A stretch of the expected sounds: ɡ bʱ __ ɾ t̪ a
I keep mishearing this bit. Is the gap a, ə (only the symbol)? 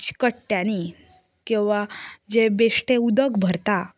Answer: ə